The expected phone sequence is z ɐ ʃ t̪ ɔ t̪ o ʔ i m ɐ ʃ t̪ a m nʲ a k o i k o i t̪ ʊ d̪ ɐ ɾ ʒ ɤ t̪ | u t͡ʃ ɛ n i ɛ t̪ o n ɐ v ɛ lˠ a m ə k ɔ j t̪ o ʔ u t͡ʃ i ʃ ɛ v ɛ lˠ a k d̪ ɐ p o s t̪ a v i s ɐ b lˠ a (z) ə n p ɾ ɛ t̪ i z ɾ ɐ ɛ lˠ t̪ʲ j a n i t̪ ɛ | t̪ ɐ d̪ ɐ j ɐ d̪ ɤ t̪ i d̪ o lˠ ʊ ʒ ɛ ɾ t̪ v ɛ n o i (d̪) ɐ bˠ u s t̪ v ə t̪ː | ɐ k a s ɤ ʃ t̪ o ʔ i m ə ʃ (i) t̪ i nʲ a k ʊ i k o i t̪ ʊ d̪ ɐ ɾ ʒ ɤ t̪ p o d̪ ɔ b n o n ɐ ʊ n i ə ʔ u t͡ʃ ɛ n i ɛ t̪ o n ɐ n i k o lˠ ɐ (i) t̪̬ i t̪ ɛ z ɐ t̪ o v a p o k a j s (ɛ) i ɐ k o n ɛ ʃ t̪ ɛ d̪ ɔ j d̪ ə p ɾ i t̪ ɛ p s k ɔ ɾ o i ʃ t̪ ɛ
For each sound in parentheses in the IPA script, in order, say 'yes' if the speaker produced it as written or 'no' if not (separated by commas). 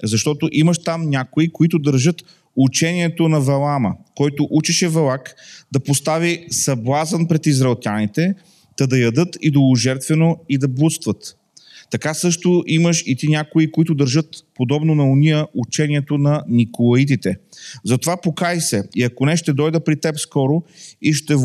yes, yes, yes, yes, yes